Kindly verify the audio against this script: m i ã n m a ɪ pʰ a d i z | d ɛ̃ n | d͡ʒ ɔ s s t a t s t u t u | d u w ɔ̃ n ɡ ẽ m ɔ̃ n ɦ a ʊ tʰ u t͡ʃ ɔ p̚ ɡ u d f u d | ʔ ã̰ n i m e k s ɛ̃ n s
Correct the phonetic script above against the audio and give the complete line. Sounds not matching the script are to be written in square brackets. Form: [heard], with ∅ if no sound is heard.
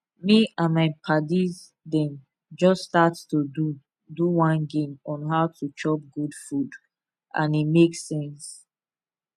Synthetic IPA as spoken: m i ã n m a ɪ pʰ a d i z | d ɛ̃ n | d͡ʒ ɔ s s t a t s t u [d] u | d u w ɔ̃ n ɡ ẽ m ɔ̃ n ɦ a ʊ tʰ u t͡ʃ ɔ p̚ ɡ u d f u d | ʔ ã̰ n i m e k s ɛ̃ n s